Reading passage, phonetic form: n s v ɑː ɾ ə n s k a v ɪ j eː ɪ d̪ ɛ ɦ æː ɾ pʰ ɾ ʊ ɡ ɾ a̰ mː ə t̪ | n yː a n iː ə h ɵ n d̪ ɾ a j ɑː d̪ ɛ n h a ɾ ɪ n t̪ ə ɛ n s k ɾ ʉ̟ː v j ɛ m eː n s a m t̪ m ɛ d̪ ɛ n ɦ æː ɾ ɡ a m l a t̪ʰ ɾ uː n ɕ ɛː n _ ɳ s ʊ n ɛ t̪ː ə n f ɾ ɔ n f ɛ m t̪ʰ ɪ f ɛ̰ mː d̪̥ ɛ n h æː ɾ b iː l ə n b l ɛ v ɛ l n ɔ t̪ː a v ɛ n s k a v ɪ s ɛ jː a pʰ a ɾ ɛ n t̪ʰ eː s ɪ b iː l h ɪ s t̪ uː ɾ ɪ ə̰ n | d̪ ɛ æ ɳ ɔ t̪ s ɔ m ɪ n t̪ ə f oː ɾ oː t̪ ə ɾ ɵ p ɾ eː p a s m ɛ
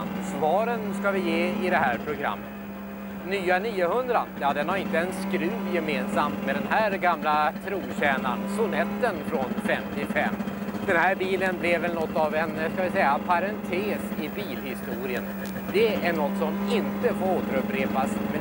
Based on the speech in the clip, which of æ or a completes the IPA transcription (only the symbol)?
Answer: a